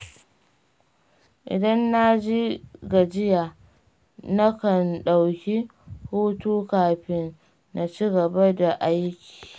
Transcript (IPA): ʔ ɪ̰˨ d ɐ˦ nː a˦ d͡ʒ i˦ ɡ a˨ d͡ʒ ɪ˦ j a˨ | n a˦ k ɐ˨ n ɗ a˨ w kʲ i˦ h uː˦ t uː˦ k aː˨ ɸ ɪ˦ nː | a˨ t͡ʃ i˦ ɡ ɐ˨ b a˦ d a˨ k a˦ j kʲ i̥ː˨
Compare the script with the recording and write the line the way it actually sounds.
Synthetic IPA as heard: ʔ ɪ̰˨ d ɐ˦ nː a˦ d͡ʒ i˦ ɡ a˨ d͡ʒ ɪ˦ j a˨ | n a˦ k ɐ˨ n ɗ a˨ w kʲ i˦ h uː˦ t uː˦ k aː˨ ɸ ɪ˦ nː | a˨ t͡ʃ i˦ ɡ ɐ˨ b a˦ d a˨ ʔ a˦ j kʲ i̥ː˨